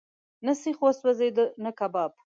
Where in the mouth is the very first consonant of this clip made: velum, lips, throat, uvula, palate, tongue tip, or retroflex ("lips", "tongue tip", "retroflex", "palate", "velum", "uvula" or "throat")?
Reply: tongue tip